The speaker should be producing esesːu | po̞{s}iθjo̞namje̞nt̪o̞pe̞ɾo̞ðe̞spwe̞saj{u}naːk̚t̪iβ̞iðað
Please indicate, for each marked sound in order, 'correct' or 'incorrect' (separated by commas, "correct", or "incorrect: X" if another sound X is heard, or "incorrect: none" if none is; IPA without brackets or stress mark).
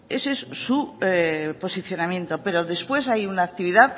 correct, correct